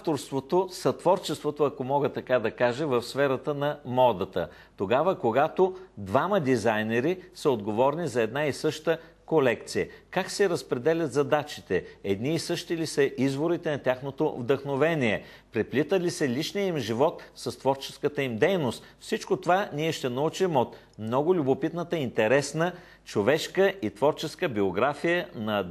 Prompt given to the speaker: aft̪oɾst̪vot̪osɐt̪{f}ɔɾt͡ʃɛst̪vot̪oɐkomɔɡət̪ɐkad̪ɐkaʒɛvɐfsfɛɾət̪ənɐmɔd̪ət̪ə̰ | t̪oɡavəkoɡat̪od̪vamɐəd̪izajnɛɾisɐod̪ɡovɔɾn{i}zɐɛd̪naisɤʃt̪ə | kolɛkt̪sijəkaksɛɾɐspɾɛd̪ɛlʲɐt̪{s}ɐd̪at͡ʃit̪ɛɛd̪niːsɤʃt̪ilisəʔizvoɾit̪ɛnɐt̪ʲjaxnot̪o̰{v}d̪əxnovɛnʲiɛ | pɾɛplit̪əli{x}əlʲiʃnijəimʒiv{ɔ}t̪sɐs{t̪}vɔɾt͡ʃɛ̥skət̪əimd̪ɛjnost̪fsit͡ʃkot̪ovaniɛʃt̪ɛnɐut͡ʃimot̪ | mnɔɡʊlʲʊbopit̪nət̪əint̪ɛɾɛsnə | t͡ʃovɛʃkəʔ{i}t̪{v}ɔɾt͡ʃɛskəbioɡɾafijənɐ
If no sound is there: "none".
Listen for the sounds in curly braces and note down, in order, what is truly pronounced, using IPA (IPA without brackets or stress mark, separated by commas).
v, i, z, v, s, ɔ, t̪, i, v